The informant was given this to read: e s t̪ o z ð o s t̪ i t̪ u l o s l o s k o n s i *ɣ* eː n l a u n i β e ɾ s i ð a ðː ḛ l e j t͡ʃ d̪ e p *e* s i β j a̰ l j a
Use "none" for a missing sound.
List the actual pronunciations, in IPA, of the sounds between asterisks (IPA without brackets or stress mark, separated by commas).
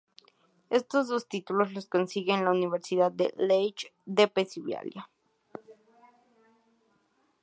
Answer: ɣ, e